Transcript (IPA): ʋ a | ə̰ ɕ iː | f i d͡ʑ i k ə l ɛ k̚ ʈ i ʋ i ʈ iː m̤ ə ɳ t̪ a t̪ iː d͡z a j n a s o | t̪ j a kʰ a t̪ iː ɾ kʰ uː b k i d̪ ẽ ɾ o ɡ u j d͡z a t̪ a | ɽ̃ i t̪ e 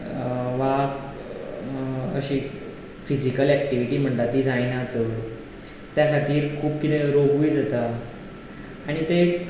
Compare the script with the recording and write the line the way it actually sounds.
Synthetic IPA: ʋ a | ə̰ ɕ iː | f i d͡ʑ i k ə l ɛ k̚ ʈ i ʋ i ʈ iː m̤ ə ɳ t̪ a t̪ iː d͡z a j n a t͡s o | t̪ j a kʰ a t̪ iː ɾ kʰ uː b k i t̪ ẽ ɾ o ɡ u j d͡z a t̪ a | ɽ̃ i t̪ e